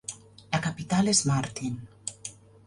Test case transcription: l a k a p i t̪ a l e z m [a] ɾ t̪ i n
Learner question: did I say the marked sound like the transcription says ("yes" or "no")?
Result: yes